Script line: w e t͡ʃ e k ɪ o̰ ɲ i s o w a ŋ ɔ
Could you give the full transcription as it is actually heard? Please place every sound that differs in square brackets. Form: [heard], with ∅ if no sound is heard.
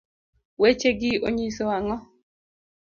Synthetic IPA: w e t͡ʃ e [ɡ] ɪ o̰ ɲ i s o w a ŋ ɔ